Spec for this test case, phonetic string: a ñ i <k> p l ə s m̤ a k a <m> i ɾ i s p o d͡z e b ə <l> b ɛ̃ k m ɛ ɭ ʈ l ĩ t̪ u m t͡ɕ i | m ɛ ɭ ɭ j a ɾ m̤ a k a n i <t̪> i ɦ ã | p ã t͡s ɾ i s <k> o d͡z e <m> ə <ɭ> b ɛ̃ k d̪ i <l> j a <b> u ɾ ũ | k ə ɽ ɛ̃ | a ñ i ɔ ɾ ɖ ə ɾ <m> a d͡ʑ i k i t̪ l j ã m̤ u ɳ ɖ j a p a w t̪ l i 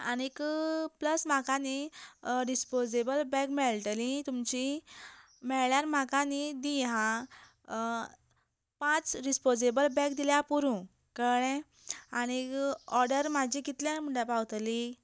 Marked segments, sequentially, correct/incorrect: correct, incorrect: n, correct, incorrect: d̪, incorrect: p, incorrect: b, incorrect: l, correct, incorrect: p, correct

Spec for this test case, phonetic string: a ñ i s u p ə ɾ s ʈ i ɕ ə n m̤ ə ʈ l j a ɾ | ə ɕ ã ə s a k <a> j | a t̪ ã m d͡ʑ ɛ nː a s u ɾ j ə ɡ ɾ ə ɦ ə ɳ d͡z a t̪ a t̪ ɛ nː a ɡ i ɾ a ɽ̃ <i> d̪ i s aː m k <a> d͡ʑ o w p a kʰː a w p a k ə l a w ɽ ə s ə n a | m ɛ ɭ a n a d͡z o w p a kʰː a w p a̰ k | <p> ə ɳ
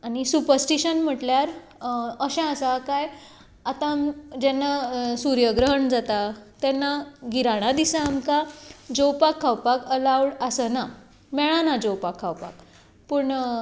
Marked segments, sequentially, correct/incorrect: correct, incorrect: a, correct, correct

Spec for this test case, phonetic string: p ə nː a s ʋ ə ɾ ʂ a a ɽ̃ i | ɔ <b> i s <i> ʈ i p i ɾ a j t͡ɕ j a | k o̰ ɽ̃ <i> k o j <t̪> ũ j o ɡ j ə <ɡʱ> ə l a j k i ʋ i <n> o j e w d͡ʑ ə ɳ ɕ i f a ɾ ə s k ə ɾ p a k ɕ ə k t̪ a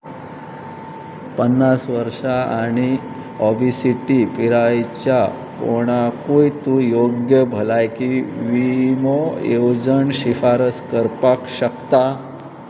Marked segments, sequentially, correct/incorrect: correct, correct, incorrect: a, correct, incorrect: bʱ, incorrect: m

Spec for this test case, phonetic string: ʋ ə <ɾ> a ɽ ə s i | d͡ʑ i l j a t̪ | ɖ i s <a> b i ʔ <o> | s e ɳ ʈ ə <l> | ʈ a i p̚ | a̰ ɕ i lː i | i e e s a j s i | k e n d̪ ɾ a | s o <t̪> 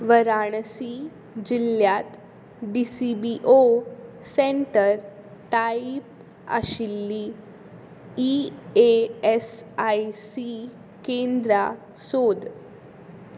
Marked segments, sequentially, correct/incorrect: correct, incorrect: i, correct, incorrect: ɾ, incorrect: d̪

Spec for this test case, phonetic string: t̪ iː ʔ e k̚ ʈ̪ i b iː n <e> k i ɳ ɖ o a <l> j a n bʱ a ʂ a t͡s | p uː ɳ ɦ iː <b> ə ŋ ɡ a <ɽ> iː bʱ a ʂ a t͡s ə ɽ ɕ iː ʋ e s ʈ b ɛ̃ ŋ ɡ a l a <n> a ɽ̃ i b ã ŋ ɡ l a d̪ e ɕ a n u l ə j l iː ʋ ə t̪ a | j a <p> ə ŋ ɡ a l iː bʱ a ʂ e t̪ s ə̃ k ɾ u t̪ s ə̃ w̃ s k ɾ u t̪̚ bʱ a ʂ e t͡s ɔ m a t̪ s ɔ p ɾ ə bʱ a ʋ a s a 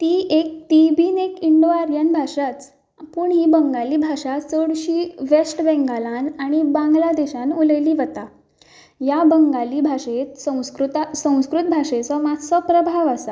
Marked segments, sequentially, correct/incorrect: correct, incorrect: ɾ, correct, incorrect: l, correct, incorrect: b

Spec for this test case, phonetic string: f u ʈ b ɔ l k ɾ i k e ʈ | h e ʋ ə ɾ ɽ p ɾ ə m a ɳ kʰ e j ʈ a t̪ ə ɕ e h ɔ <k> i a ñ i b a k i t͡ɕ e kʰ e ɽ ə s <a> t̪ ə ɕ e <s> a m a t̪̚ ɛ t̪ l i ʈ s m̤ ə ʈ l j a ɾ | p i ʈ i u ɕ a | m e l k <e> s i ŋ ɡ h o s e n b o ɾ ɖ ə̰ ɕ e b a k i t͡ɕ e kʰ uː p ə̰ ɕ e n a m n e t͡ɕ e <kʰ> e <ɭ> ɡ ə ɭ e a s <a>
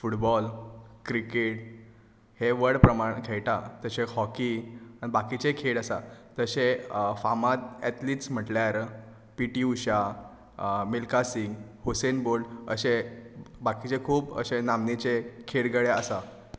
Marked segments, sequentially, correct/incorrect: correct, correct, incorrect: f, incorrect: a, correct, incorrect: ɽ, correct

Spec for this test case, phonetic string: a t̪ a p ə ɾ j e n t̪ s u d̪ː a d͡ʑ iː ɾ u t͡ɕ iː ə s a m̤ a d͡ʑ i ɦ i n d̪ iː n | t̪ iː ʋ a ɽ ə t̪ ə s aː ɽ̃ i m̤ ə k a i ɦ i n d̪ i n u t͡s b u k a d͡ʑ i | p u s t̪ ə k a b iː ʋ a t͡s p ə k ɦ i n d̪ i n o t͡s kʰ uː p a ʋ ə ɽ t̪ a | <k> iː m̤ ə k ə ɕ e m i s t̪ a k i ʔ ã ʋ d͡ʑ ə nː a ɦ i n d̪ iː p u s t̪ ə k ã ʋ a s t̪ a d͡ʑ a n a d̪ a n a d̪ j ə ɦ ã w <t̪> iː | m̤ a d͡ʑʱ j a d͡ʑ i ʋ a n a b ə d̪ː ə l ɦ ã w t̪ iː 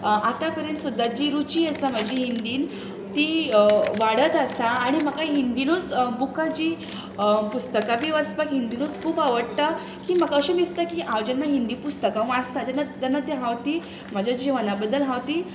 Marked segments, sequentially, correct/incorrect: correct, correct

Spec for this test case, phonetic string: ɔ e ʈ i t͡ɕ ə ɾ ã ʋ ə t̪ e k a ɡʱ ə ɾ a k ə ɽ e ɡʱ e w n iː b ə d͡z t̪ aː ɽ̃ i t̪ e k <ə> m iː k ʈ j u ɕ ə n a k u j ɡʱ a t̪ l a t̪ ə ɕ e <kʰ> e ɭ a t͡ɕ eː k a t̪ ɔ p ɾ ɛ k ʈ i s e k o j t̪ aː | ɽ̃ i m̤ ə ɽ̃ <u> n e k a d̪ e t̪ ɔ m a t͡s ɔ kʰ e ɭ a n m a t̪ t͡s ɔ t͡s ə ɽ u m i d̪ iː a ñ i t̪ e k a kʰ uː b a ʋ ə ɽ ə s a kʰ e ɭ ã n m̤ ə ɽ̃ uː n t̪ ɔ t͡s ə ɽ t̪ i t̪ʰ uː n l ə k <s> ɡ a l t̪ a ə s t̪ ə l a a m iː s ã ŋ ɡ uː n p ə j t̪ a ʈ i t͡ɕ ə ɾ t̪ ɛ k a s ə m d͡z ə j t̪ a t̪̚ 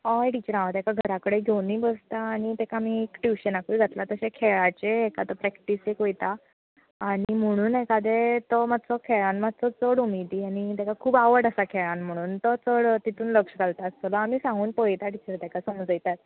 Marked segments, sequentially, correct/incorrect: incorrect: a, correct, incorrect: uː, incorrect: ʂ

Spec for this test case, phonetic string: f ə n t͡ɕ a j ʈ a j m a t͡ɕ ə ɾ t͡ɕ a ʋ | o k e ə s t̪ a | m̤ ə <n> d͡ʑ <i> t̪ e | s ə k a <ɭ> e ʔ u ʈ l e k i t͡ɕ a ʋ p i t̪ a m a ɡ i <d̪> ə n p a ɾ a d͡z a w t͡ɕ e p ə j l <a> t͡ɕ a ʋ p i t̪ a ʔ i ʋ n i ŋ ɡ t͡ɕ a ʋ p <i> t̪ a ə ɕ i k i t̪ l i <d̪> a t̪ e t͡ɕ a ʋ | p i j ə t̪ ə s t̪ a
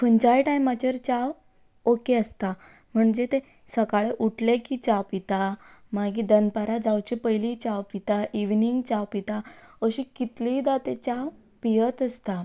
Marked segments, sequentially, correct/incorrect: incorrect: ɳ, incorrect: e, correct, correct, incorrect: i, correct, correct

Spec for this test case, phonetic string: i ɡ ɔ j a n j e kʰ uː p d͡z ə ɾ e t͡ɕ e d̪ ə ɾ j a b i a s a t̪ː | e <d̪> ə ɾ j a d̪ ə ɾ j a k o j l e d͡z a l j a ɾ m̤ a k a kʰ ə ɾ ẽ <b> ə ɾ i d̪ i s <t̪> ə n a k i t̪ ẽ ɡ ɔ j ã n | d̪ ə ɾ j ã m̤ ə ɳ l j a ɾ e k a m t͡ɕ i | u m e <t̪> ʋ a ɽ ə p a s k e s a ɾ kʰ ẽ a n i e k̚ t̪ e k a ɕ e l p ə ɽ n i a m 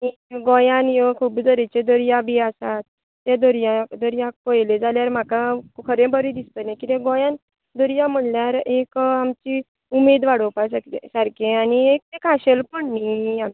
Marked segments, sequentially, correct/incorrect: correct, correct, correct, incorrect: d̪

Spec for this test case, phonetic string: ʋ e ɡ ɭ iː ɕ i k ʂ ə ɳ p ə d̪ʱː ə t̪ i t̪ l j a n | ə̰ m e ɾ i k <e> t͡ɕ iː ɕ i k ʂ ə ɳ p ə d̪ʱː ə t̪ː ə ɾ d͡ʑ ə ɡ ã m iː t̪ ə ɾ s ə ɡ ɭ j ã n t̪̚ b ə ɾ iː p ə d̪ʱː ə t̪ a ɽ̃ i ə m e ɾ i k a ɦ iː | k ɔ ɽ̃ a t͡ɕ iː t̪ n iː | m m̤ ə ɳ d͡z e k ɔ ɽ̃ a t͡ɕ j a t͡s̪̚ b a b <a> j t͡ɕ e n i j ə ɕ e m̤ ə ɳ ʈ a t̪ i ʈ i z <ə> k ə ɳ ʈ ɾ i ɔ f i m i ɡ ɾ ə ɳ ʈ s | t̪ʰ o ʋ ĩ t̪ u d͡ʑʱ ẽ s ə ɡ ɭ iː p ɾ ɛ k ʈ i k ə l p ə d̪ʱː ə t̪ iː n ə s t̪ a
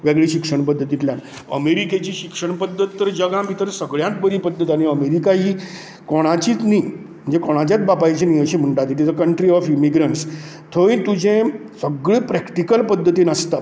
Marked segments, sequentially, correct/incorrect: correct, correct, correct

